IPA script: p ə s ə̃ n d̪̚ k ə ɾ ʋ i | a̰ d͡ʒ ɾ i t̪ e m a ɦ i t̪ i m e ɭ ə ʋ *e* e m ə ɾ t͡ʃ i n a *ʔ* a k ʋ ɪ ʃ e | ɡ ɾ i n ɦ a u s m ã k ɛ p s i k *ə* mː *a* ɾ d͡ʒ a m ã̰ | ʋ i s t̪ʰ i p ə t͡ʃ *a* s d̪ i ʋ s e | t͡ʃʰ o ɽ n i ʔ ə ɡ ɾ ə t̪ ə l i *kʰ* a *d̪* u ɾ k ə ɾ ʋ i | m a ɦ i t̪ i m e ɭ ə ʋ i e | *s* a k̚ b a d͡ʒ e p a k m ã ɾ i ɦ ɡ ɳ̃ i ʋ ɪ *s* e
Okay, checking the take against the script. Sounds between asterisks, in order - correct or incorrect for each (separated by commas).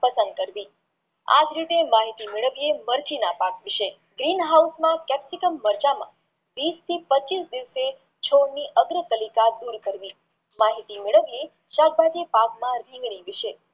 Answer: incorrect, incorrect, correct, incorrect, incorrect, incorrect, correct, incorrect, incorrect